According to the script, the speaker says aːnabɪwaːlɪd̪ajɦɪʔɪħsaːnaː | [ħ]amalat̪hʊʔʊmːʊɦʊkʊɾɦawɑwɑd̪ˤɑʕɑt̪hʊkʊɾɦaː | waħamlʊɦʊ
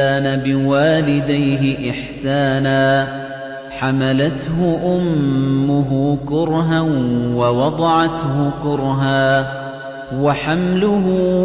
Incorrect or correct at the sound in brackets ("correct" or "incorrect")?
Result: correct